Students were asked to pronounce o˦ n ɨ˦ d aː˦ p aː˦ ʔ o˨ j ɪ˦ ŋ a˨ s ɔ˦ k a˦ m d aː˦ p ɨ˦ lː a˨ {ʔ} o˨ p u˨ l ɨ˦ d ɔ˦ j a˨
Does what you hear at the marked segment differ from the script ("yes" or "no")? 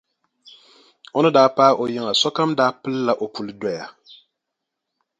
no